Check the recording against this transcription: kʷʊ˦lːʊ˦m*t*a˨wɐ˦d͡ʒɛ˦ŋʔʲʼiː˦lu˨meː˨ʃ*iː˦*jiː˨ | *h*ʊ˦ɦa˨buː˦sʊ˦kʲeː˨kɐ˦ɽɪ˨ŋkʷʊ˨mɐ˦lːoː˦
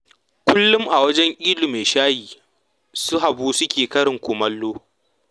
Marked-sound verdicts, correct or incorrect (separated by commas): incorrect, incorrect, incorrect